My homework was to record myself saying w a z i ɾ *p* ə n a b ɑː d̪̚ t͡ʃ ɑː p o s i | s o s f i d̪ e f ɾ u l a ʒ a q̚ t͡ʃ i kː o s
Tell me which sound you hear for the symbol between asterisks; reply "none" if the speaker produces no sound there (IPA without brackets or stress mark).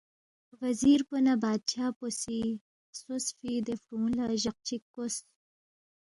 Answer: p